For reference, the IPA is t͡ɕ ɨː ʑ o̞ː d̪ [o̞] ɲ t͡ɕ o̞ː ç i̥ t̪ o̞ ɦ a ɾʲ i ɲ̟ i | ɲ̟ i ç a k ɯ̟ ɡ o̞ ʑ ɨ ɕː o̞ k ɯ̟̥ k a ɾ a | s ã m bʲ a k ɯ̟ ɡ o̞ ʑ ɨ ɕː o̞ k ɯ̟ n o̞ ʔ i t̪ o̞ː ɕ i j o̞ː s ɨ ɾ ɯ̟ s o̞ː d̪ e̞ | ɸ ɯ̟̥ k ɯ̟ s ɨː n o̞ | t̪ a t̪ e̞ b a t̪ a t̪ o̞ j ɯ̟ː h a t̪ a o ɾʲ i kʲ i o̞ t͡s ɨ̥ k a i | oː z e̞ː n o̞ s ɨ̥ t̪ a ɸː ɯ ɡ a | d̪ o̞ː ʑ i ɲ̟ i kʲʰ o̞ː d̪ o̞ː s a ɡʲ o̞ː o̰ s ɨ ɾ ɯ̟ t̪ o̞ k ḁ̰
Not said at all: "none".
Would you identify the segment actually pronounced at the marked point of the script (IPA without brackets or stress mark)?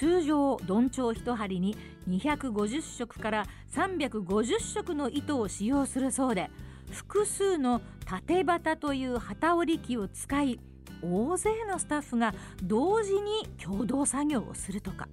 õ̞